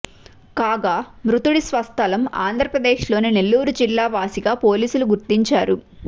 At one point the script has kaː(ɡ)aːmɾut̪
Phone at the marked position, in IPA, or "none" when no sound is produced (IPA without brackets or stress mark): ɡ